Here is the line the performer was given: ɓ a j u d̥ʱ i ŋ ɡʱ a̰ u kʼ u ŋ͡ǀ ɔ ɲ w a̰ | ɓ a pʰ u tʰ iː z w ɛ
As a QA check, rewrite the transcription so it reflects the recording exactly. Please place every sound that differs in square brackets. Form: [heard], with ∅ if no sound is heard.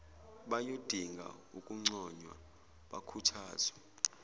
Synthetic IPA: ɓ a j [o] d̥ʱ i ŋ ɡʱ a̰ u kʼ u ŋ͡ǀ ɔ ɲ w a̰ | ɓ a [kʰ] u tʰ [aː] z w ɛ